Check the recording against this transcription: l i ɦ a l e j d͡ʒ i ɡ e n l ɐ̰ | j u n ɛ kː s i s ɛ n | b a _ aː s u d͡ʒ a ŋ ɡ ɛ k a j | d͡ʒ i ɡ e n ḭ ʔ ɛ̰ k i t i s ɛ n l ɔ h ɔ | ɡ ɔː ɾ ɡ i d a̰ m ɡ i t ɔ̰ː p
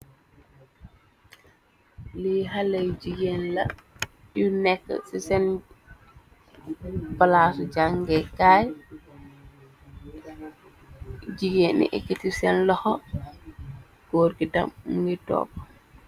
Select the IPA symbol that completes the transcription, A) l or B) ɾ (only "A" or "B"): A